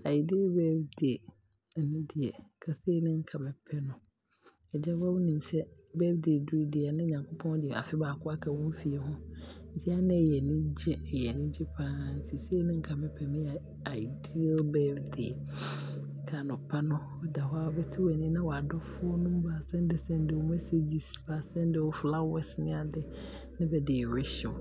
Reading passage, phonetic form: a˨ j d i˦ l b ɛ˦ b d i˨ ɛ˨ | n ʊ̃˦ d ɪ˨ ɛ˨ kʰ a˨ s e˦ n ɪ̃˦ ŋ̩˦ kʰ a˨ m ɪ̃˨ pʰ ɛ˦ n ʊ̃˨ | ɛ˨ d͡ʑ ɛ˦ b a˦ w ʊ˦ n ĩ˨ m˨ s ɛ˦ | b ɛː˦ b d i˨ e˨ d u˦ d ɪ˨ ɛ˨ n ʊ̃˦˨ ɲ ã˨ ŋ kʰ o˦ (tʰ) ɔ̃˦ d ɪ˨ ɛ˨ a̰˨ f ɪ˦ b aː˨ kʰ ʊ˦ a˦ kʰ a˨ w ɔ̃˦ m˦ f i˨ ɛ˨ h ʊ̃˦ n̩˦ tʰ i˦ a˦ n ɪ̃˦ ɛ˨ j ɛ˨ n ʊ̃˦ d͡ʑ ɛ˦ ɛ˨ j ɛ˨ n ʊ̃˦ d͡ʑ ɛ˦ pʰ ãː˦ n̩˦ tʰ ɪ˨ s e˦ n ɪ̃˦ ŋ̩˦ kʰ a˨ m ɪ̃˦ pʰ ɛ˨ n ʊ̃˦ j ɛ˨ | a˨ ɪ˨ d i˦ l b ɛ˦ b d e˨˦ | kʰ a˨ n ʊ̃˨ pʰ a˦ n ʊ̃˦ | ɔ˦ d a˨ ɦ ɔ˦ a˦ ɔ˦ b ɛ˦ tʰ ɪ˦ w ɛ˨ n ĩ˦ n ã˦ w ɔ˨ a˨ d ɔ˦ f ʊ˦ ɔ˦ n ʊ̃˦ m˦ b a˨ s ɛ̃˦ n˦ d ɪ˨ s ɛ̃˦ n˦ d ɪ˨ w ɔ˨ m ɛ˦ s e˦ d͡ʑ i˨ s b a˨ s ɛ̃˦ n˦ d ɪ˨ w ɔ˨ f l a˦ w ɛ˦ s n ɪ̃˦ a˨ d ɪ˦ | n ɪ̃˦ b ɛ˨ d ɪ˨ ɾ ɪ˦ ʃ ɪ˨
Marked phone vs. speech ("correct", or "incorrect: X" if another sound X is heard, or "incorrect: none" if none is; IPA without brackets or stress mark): incorrect: pʰ